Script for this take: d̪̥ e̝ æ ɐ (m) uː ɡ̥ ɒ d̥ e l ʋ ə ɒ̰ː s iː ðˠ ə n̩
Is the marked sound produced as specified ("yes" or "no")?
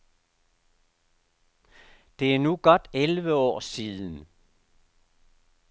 no